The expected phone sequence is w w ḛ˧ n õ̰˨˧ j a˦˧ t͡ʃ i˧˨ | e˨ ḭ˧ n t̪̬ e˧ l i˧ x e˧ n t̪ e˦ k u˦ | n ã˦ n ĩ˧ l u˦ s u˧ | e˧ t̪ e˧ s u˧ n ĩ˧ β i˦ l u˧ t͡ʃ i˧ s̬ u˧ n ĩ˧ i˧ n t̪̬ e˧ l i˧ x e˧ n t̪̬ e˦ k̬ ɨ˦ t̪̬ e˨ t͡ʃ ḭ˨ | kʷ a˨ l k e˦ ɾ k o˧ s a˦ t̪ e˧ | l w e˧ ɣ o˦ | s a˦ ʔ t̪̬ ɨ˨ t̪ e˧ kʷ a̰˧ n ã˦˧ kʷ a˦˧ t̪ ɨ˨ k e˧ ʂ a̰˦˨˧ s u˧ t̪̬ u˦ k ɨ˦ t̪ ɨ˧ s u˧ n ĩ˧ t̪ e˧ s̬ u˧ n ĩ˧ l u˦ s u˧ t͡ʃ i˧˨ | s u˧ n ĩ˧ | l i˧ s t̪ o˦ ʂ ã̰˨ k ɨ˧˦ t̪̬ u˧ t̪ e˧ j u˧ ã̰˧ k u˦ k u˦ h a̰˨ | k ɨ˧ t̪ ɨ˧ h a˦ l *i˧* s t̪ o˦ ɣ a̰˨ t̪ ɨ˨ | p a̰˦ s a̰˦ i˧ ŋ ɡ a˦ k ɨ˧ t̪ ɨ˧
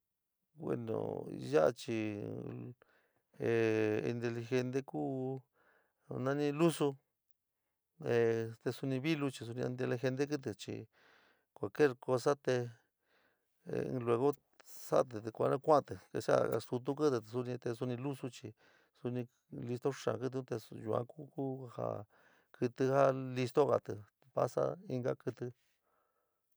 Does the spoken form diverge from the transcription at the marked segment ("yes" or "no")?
no